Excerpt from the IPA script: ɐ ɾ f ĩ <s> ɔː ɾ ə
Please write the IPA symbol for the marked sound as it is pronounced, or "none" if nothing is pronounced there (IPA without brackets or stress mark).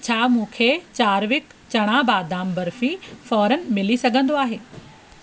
f